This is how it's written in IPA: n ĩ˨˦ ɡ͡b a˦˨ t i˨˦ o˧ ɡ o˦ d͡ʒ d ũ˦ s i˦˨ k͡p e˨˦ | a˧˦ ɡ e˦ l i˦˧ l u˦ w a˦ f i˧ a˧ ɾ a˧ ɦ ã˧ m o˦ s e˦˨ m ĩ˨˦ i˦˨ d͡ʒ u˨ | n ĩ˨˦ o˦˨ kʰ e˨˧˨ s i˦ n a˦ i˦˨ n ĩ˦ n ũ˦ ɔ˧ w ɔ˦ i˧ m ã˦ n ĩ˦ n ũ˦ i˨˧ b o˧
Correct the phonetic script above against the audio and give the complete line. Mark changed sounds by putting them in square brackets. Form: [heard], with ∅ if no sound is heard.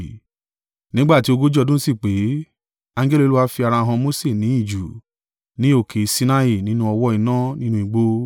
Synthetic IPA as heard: n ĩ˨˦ ɡ͡b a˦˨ t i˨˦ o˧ ɡ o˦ d͡ʒ d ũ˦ s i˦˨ k͡p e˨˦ | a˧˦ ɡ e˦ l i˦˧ l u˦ w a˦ f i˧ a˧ ɾ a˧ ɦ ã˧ m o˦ s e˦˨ [n] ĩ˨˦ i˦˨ d͡ʒ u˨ | n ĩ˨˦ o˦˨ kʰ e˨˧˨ s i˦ n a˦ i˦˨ n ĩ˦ n ũ˦ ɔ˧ w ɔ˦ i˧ [n] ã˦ n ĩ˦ n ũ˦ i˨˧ [ɡ͡b] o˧